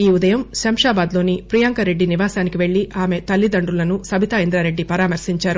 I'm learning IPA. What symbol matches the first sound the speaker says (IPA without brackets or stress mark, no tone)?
iː